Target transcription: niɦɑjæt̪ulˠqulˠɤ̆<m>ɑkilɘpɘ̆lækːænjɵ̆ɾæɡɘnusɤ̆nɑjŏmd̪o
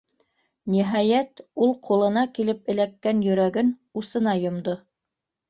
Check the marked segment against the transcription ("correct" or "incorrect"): incorrect